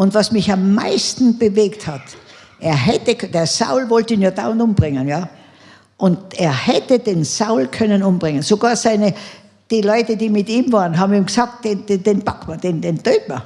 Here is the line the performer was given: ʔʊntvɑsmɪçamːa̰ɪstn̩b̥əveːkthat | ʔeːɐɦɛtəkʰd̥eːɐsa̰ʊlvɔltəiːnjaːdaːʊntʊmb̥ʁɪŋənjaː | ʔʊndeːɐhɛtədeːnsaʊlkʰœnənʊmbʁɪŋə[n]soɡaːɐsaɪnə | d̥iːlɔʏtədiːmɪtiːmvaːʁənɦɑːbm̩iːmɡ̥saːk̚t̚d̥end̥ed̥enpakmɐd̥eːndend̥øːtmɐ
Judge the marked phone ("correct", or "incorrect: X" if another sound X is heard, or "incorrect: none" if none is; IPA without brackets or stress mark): correct